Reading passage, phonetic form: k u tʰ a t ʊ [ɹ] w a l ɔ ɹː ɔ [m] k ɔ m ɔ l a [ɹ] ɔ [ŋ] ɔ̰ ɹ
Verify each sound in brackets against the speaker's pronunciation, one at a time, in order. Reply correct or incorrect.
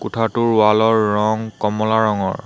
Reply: correct, incorrect, correct, correct

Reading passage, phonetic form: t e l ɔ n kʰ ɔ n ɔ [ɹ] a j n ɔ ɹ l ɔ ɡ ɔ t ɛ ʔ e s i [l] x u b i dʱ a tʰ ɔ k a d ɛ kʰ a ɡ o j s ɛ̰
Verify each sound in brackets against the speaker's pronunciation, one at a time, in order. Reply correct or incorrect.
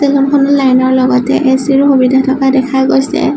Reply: incorrect, incorrect

